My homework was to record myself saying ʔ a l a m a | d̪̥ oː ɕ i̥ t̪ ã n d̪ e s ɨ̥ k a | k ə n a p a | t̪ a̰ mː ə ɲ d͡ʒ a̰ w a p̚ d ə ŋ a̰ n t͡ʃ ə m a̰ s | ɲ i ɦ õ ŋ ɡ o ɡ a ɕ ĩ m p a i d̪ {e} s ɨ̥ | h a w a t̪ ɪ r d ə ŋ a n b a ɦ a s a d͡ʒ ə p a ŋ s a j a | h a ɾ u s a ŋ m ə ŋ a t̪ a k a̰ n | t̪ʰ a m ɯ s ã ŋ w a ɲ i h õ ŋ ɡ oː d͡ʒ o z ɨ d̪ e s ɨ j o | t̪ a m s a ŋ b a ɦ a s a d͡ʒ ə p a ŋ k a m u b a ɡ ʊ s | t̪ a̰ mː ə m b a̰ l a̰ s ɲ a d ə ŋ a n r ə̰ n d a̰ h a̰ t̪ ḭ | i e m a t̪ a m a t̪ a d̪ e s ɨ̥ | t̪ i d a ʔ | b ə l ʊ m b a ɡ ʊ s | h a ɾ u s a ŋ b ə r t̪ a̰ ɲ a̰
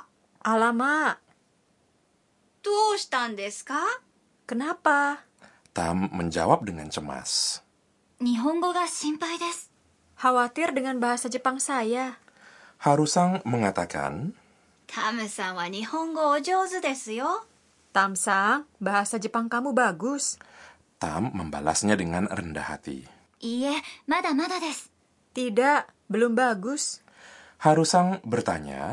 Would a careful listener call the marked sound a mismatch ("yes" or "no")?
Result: no